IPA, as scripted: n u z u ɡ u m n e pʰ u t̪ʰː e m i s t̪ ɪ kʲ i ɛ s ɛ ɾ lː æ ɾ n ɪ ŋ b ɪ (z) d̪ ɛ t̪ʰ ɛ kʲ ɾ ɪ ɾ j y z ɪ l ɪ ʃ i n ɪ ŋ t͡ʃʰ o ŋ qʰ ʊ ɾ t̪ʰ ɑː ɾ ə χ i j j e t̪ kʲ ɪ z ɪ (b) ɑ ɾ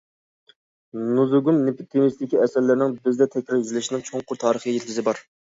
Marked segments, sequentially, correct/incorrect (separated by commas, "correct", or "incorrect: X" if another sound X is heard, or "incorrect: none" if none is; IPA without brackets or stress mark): correct, correct